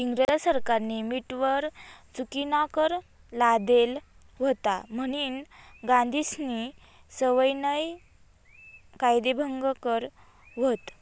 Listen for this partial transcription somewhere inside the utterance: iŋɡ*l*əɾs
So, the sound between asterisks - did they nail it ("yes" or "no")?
no